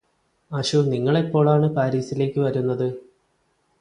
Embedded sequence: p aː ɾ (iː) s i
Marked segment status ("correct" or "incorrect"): correct